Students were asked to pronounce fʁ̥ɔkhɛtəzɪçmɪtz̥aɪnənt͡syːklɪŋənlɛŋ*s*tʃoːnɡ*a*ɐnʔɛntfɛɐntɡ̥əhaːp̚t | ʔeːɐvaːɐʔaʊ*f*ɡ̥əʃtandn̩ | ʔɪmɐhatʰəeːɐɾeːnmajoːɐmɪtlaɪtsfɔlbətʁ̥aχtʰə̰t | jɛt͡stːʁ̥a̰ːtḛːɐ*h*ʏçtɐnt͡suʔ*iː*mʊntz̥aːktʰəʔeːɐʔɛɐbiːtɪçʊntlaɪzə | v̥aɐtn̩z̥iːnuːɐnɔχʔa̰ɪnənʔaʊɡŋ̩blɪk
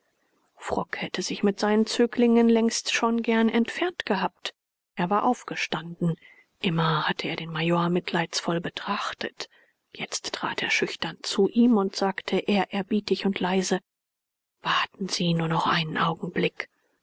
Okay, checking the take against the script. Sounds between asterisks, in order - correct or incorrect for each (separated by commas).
correct, incorrect, correct, incorrect, correct